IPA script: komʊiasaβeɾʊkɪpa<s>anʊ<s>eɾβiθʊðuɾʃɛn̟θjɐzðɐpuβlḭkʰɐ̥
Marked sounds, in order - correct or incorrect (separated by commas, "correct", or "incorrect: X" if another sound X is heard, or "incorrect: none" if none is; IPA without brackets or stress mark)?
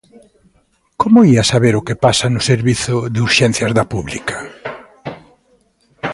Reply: correct, correct